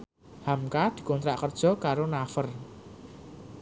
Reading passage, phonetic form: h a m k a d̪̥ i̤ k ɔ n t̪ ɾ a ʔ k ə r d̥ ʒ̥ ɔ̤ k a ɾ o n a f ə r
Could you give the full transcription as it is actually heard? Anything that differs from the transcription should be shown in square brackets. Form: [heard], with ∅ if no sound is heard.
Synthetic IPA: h a m k a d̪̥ i̤ k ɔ n t̪ ɾ a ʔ k ə r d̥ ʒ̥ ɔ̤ k a ɾ o n a f ə r